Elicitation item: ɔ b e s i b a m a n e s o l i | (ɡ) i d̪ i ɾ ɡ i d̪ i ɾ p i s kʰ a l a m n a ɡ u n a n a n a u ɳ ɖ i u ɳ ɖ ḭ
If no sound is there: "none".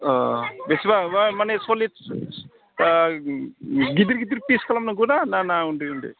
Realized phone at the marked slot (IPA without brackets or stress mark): ɡ